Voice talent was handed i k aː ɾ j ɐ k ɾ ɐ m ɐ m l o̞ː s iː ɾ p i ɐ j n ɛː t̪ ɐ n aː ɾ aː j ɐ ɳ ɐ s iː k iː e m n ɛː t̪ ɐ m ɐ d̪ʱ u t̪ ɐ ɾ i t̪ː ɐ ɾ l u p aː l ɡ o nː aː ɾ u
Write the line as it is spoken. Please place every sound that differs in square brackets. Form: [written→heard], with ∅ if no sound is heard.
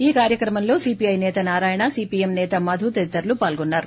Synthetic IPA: [i→iː] k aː ɾ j ɐ k ɾ ɐ m ɐ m l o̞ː s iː [ɾ→∅] p i ɐ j n ɛː t̪ ɐ n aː ɾ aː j ɐ ɳ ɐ s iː [k→p] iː e m n ɛː t̪ ɐ m ɐ d̪ʱ u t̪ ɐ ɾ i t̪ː ɐ ɾ l u p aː l ɡ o nː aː ɾ u